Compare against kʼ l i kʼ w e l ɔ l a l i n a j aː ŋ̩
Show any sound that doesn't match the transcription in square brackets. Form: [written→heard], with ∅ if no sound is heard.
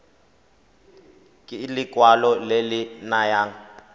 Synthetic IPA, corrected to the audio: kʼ l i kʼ w [e→a] l ɔ l [a→e] l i n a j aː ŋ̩